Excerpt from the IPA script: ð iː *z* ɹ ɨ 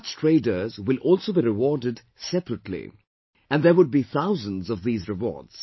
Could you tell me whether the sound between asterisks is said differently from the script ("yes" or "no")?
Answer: no